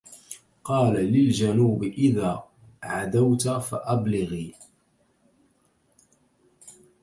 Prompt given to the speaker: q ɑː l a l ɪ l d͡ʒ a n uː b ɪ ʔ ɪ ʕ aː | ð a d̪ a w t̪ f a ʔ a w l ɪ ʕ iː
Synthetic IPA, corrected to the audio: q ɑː l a l ɪ l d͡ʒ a n uː b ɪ ʔ ɪ ð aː | ʕ a d̪ a w t̪ f a ʔ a b l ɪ ɣ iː